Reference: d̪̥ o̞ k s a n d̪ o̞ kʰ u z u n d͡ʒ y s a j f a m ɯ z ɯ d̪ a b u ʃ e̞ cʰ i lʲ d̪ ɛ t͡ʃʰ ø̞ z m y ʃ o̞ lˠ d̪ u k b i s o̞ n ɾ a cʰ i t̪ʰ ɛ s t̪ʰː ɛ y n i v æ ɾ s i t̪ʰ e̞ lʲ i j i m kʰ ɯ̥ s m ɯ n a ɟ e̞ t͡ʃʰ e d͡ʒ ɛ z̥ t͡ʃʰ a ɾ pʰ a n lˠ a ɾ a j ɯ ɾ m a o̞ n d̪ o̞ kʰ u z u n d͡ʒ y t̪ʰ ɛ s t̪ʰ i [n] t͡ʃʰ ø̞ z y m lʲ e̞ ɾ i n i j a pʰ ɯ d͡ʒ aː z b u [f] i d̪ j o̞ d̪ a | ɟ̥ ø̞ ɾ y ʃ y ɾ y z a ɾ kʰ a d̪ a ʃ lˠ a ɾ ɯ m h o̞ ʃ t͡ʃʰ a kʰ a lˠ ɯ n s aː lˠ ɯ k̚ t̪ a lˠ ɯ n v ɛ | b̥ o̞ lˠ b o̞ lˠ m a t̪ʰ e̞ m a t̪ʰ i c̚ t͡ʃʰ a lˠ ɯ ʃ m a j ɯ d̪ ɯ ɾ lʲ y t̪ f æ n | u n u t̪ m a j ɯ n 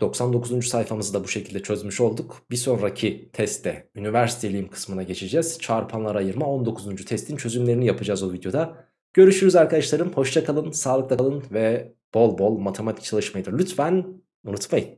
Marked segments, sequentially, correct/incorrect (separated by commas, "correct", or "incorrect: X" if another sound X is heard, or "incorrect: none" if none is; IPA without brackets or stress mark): correct, incorrect: v